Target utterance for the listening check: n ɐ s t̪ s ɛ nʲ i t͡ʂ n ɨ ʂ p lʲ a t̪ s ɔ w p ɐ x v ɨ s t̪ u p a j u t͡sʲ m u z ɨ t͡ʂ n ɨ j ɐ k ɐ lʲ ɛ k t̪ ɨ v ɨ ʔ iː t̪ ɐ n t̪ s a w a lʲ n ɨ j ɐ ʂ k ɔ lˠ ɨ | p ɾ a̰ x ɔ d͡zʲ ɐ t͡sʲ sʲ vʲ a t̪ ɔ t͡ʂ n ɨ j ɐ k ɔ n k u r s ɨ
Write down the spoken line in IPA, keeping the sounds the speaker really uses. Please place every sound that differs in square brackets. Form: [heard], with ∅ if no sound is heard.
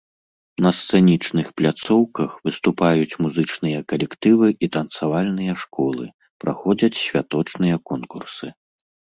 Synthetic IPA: n ɐ s t̪ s ɛ nʲ i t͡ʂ n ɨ [x] p lʲ a t̪ s ɔ w [k] ɐ x v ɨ s t̪ u p a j u t͡sʲ m u z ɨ t͡ʂ n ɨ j ɐ k ɐ lʲ ɛ k t̪ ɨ v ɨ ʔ [i] t̪ ɐ n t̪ s a [v] a lʲ n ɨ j ɐ ʂ k ɔ lˠ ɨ | p ɾ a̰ x ɔ d͡zʲ ɐ t͡sʲ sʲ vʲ a t̪ ɔ t͡ʂ n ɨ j ɐ k ɔ n k u r s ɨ